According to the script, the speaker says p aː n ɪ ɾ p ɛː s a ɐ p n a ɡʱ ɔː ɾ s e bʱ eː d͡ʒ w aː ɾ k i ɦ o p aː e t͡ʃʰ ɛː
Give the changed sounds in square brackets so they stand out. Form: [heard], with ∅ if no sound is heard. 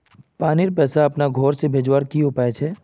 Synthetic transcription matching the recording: p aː n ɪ ɾ p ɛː s a ɐ p n a ɡʱ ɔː ɾ s e bʱ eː d͡ʒ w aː ɾ k i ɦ o p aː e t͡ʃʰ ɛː